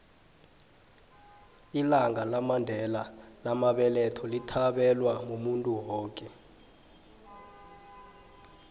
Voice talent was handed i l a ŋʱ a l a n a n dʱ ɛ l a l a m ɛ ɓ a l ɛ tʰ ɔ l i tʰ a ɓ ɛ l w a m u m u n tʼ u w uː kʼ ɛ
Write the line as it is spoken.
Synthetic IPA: i l a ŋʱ a l a m a n dʱ ɛ l a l a m a ɓ ɛ l ɛ tʰ ɔ l i tʰ a ɓ ɛ l w a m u m u n tʼ u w ɔː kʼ ɛ